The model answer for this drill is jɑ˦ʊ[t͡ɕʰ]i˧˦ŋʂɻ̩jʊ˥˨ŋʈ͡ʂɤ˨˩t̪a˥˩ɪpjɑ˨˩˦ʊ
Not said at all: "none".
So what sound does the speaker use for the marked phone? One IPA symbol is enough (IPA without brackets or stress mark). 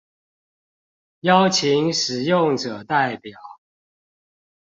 t͡ɕʰ